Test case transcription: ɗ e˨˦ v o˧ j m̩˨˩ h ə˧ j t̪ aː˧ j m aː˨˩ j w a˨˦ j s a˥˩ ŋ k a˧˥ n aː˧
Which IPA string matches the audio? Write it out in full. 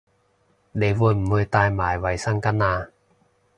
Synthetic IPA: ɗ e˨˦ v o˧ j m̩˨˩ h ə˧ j t̪ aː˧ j m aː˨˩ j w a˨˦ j s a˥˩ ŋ k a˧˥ n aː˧